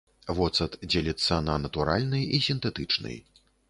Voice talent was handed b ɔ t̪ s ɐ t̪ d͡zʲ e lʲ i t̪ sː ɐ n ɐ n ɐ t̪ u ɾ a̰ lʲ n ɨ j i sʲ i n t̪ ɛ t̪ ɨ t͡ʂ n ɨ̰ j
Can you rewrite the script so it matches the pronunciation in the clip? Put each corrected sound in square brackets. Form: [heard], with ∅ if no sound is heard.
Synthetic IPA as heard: [v] ɔ t̪ s ɐ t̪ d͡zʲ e lʲ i t̪ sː ɐ n ɐ n ɐ t̪ u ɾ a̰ lʲ n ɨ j i sʲ i n t̪ ɛ t̪ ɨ t͡ʂ n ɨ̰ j